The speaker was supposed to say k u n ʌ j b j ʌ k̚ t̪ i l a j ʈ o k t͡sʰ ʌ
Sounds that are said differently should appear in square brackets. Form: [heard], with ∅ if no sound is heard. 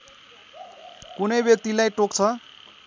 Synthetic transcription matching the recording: k u n ʌ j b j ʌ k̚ t̪ i l a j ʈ o k t͡sʰ ʌ